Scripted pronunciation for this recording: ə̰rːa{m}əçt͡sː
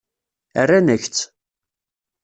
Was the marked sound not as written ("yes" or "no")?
yes